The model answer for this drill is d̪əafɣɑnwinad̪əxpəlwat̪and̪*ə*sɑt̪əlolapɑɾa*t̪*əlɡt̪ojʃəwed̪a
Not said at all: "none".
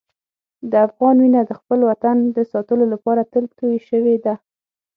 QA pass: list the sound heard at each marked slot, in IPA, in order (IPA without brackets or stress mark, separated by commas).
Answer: ə, t̪